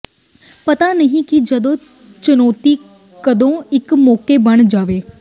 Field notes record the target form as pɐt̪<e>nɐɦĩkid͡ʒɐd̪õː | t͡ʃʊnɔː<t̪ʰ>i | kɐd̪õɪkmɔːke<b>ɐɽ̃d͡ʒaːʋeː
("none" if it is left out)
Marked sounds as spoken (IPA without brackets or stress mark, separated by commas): a, t̪, b